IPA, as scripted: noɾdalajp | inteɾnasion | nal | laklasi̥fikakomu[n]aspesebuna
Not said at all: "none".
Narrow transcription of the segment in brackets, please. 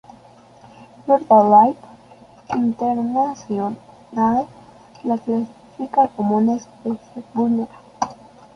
n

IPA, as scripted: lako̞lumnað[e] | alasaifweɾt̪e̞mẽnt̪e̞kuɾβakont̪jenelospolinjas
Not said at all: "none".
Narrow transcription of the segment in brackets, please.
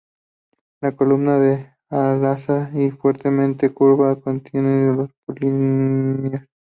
e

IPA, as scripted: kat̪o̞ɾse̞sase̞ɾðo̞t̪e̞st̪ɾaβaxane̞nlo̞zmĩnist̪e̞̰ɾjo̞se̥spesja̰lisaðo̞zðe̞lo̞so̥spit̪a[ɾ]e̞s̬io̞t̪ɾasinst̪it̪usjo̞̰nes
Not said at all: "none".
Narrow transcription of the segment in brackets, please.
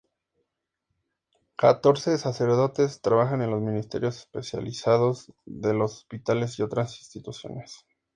l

